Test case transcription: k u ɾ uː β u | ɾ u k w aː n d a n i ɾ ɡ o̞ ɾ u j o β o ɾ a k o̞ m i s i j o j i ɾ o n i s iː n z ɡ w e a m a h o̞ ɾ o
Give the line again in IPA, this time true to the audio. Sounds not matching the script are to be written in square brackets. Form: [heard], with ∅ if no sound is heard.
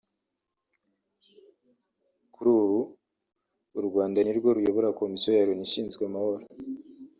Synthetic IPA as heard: k u ɾ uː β u | ɾ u [ɡ] w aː n d a n i ɾ ɡ o̞ ɾ u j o β o ɾ a k o̞ m i s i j o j [a] ɾ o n i [ʃ] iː n z ɡ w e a m a h o̞ ɾ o